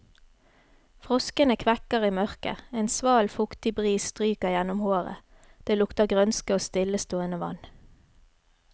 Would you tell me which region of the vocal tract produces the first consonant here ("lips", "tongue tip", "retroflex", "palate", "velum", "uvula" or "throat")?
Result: lips